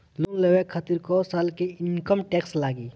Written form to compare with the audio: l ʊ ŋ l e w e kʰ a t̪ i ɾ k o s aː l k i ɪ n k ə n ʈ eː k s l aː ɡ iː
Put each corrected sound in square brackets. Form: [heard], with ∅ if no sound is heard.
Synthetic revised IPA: l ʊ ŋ l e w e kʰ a t̪ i ɾ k o s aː l k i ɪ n k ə [m] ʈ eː k s l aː ɡ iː